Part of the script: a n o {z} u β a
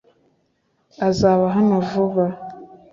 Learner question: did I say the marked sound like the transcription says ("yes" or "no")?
no